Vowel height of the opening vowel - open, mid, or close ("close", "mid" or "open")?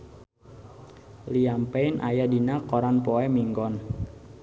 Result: close